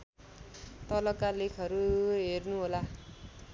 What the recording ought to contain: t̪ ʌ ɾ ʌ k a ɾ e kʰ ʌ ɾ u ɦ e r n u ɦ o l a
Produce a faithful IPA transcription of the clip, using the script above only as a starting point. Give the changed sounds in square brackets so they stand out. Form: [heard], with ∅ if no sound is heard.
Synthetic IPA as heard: t̪ ʌ [l] ʌ k a [l] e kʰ ʌ ɾ u ɦ e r n u ɦ o l a